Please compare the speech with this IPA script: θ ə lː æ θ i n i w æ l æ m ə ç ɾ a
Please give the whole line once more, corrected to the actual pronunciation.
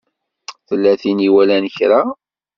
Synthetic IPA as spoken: θ ə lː æ θ i n i w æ l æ n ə ç ɾ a